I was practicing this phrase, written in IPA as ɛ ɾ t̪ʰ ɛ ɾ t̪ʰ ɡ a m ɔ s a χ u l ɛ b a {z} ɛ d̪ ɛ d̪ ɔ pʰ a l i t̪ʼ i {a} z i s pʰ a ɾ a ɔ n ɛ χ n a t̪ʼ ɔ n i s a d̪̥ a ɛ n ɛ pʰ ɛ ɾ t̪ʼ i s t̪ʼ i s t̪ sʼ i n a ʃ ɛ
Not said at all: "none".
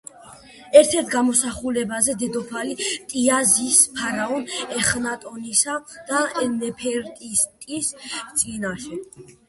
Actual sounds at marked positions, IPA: z, a

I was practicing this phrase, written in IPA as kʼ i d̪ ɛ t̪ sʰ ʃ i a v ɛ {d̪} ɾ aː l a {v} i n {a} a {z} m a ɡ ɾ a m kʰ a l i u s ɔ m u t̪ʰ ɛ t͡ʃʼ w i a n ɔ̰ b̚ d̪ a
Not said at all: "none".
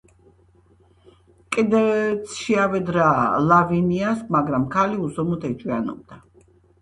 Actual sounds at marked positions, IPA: d̪, v, i, s

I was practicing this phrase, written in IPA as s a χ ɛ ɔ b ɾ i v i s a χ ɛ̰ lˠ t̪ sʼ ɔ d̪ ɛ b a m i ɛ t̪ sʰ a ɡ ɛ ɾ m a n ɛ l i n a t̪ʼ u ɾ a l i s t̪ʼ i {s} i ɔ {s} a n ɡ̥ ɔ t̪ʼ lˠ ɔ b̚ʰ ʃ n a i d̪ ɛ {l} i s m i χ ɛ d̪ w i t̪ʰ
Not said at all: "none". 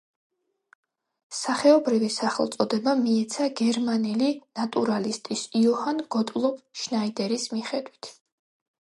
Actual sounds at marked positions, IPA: s, h, ɾ

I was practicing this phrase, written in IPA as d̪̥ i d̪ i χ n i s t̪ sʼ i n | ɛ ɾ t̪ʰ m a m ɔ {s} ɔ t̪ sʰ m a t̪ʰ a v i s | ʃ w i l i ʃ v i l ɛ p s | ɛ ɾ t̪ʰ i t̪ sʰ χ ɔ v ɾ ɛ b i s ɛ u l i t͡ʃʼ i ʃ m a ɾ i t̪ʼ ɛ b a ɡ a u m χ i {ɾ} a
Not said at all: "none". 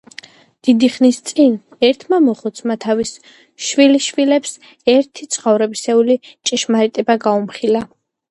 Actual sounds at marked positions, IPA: χ, l

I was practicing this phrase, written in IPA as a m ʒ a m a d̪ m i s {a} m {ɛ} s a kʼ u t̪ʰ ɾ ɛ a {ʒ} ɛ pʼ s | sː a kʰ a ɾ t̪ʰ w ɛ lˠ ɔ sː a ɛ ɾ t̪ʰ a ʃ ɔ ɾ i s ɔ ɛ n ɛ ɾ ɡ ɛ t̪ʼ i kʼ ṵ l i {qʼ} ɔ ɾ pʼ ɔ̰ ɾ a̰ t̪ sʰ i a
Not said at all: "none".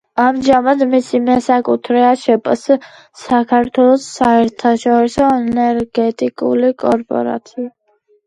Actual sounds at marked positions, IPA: i, ɛ, ʃ, kʼ

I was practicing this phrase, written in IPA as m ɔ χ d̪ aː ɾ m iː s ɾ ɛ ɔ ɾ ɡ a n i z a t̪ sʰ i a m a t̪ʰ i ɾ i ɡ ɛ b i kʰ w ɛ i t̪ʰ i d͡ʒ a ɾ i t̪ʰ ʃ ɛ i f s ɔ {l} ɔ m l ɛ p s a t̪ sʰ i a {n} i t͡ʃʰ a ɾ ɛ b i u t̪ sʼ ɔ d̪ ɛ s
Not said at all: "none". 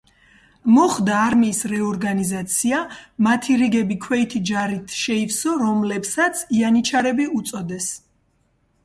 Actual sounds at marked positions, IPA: ɾ, n

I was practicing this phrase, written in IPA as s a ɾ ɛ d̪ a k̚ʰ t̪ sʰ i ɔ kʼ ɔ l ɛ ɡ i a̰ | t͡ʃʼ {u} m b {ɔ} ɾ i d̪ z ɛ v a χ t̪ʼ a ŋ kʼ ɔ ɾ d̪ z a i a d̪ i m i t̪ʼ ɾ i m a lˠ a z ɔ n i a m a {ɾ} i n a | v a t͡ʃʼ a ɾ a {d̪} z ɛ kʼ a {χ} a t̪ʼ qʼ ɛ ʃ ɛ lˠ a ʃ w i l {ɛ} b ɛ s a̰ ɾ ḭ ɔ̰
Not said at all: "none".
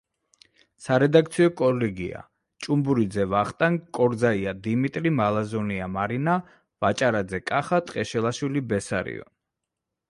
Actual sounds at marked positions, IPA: u, u, ɾ, d̪, χ, i

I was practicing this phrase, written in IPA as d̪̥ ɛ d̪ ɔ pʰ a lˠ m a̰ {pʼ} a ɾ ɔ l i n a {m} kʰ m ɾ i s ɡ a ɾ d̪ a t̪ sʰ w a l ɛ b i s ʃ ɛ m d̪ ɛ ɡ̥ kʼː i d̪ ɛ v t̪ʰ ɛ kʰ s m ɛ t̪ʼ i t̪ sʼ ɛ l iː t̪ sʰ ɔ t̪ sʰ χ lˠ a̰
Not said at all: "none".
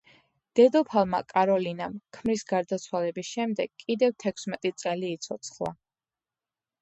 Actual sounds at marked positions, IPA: kʼ, m

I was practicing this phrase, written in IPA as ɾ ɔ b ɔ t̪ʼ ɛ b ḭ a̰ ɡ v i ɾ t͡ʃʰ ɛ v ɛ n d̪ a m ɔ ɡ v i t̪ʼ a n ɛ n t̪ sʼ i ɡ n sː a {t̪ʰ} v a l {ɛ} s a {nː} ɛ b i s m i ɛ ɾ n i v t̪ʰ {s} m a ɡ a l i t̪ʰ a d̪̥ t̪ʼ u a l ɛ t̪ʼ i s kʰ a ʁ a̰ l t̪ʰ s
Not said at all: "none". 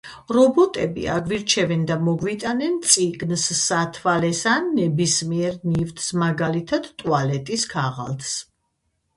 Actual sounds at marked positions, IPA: t̪ʰ, ɛ, nː, s

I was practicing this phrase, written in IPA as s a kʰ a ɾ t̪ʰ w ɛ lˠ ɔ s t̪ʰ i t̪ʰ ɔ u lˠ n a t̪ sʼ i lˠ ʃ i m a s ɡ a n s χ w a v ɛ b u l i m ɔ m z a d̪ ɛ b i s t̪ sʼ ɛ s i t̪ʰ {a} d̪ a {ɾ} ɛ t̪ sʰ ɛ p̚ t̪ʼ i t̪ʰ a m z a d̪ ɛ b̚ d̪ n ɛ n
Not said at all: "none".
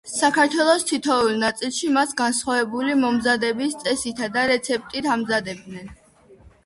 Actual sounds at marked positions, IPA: a, ɾ

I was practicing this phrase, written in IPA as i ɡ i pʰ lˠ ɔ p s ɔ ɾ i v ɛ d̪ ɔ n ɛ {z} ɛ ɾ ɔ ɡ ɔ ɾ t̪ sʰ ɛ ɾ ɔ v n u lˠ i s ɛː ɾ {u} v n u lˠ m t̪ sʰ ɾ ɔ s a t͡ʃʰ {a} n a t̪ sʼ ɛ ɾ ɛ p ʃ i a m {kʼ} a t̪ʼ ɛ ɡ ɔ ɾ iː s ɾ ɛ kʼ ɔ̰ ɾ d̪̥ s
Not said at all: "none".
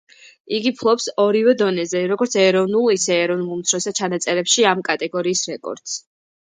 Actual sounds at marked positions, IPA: z, ɔ, a, kʼ

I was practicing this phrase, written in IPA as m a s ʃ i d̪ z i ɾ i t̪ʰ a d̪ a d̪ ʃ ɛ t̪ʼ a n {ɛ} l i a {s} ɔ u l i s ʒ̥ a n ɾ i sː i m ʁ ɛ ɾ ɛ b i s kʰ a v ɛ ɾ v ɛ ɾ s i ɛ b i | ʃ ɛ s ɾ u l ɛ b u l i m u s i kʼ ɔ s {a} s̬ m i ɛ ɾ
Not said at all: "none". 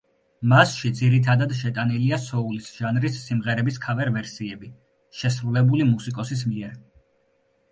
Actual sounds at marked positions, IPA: i, s, i

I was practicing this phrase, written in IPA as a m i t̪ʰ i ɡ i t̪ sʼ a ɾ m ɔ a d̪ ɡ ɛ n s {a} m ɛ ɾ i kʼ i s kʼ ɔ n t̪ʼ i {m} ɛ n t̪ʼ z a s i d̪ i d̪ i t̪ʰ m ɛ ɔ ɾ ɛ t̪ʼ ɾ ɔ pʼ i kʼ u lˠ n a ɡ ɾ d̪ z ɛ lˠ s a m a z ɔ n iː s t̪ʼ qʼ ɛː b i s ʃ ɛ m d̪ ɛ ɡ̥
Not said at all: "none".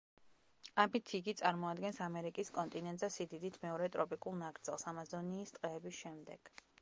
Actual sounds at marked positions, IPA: a, n

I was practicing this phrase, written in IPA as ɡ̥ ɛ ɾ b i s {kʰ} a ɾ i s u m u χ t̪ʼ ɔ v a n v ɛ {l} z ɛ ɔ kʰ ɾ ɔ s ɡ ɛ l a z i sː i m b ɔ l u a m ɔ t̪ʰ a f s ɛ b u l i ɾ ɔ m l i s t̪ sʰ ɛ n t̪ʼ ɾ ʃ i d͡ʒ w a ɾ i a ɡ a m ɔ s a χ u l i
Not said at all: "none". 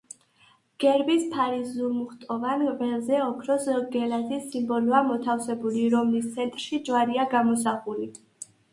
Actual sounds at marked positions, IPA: pʰ, l

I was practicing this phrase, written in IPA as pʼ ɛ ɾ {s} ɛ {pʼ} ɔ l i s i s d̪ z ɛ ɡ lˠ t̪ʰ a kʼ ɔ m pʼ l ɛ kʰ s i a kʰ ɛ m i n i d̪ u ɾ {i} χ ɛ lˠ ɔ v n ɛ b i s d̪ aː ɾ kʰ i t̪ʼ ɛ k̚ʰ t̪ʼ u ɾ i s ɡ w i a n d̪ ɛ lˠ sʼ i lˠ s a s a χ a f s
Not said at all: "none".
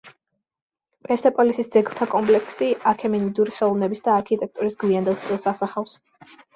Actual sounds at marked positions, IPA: s, pʼ, i

